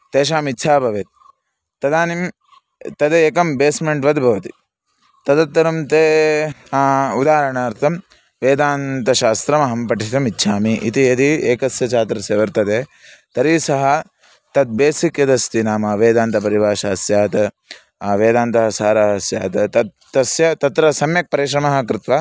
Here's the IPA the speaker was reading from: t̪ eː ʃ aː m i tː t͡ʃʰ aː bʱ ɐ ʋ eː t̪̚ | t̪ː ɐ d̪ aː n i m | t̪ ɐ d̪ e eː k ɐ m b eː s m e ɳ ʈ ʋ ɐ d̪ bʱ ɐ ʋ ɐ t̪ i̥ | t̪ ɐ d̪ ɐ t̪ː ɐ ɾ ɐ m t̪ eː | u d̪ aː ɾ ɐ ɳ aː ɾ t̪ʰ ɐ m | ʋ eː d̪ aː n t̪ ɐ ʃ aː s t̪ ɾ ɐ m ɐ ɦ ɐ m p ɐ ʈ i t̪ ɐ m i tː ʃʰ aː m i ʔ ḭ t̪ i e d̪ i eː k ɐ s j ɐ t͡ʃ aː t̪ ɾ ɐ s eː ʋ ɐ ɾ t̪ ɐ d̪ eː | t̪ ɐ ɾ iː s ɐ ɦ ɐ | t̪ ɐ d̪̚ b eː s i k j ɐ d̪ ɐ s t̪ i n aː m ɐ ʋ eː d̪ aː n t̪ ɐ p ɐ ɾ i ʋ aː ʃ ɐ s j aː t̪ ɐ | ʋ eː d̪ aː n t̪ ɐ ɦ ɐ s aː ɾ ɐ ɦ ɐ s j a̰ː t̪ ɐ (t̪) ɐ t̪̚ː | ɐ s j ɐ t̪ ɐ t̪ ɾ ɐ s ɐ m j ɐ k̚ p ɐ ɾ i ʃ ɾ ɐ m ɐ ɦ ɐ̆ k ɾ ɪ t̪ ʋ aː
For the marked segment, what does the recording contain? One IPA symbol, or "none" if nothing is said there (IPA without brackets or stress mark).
t̪